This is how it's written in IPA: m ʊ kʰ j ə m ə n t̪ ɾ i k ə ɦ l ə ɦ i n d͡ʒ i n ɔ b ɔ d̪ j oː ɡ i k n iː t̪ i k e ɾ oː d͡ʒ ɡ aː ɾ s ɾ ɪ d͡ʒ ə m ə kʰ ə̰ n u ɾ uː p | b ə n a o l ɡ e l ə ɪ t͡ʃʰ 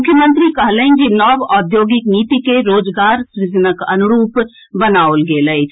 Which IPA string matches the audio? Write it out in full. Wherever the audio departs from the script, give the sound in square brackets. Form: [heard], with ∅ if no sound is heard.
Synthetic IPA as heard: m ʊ kʰ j ə m ə n t̪ ɾ i k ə ɦ l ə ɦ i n d͡ʒ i n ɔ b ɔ d̪ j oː ɡ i k n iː t̪ i k e ɾ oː d͡ʒ ɡ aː ɾ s ɾ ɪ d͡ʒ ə [n] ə [k] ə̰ n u ɾ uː p | b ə n a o l ɡ e l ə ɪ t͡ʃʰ